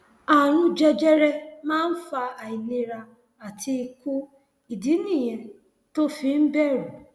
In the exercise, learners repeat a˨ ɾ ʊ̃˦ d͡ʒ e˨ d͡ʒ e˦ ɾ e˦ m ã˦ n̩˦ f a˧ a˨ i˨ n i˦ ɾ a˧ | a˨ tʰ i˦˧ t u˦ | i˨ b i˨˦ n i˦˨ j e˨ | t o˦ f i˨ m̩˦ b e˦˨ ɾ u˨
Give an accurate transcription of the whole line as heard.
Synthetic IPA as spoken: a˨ ɾ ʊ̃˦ d͡ʒ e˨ d͡ʒ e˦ ɾ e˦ m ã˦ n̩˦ f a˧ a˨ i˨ n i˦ ɾ a˧ | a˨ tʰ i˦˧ k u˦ | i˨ d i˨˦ n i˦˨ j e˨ | t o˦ f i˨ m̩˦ b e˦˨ ɾ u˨